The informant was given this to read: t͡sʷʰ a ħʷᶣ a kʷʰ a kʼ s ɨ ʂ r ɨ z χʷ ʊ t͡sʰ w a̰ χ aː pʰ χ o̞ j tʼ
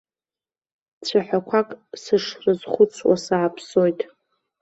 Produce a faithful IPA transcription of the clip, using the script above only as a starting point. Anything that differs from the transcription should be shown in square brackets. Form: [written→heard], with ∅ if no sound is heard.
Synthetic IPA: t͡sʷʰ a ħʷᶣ a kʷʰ a kʼ s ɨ ʂ r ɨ z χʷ ʊ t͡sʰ w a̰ [χ→s] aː pʰ [χ→s] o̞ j tʼ